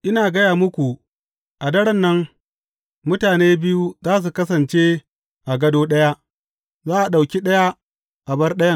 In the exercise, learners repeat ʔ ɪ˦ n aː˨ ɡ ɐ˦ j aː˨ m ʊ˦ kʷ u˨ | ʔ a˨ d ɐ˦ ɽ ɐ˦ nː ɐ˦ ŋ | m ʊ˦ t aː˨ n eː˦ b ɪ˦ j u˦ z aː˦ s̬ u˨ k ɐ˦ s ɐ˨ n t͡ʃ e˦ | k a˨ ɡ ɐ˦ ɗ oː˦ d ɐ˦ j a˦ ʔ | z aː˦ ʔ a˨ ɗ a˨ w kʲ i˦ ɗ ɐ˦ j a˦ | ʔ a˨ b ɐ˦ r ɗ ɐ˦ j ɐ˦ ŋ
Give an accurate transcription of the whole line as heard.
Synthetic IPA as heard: ʔ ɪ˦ n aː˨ ɡ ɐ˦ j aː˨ m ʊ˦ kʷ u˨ | ʔ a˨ d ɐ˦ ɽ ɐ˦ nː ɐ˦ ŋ | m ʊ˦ t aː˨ n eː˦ b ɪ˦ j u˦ z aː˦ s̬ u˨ k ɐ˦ s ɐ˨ n t͡ʃ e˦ | ʔ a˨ ɡ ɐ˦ d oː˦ ɗ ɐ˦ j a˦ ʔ | z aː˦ ʔ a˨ ɗ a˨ w kʲ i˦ ɗ ɐ˦ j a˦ | ʔ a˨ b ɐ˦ r ɗ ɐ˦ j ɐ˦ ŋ

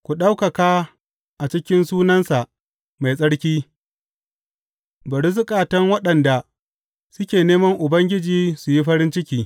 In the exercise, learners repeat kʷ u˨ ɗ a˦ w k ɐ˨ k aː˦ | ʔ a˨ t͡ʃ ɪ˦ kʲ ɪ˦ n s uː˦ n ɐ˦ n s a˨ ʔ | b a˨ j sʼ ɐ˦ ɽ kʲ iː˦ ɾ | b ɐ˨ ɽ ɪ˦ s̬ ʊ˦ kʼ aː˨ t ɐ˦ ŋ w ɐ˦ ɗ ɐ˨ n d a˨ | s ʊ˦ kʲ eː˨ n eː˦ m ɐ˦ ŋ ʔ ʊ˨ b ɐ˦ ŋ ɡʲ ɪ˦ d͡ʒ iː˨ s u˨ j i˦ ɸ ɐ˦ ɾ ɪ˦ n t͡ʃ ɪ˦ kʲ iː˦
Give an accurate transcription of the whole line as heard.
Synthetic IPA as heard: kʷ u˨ ɗ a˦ w k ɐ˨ k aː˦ | ʔ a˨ t͡ʃ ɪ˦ kʲ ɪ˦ n s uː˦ n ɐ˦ n s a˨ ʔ | m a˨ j sʼ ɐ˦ ɽ kʲ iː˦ | b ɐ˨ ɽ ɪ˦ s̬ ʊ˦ kʼ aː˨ t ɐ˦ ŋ w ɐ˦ ɗ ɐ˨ n d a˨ | s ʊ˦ kʲ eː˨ n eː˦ m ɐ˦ ŋ ʔ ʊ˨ b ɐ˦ ŋ ɡʲ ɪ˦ d͡ʒ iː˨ s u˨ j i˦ ɸ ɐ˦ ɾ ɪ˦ n t͡ʃ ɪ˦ kʲ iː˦

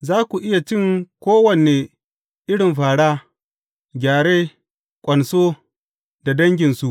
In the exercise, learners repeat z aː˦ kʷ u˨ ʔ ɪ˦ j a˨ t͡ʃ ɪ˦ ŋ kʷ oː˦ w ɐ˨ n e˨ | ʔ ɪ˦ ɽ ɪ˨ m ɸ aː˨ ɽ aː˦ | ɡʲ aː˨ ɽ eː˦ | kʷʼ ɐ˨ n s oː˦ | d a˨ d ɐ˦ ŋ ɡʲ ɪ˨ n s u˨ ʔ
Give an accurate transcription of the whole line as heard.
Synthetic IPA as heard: z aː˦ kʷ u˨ ʔ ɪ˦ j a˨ t͡ʃ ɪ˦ ŋ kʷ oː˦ w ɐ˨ n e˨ | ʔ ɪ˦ ɽ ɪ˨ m ɸ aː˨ ɽ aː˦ | ɡʲ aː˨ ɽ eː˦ | kʷʼ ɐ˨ n s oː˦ | d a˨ d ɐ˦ ŋ ɡʲ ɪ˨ n s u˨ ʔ

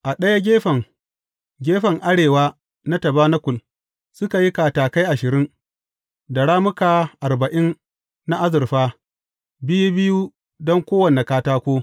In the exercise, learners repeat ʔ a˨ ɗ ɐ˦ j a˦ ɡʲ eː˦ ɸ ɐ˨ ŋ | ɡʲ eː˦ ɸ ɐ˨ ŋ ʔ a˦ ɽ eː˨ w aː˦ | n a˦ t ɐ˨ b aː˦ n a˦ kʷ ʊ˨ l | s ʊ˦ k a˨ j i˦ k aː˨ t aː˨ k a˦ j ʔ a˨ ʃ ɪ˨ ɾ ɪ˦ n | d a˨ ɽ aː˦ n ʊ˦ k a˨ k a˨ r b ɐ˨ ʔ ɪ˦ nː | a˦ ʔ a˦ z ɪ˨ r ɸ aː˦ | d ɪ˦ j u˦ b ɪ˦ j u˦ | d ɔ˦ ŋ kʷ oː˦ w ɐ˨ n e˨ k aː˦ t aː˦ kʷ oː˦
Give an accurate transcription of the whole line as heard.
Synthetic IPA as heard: ʔ a˨ ɗ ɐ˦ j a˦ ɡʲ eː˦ ɸ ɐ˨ ŋ | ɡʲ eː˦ ɸ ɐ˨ ŋ ʔ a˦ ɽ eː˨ w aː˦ | n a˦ t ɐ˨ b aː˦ n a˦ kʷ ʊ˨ l | s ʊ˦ k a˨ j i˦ k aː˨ t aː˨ k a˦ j ʔ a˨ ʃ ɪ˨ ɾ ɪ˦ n | d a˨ ɽ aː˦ m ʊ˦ k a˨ ʔ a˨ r b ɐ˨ ʔ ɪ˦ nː | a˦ ʔ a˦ z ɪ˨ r ɸ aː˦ | b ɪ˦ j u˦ b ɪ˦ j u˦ | d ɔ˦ ŋ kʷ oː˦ w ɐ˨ n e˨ k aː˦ t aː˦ kʷ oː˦

